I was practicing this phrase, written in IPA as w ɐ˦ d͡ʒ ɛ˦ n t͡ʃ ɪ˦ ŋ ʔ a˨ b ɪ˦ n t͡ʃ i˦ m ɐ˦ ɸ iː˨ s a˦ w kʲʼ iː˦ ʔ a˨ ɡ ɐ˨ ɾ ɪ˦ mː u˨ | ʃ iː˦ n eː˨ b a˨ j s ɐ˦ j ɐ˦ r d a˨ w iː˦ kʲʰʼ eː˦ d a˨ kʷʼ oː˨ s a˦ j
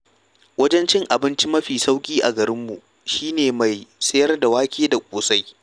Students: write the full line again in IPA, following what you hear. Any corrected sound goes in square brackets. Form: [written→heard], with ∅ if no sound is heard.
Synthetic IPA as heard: w ɐ˦ d͡ʒ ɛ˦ n t͡ʃ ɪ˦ ŋ ʔ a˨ b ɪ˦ n t͡ʃ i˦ m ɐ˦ ɸ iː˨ s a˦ w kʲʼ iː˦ ʔ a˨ ɡ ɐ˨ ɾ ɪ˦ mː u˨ | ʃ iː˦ n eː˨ [b→m] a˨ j s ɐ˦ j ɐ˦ r d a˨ w [iː˦→aː˦] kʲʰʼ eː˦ d a˨ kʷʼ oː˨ s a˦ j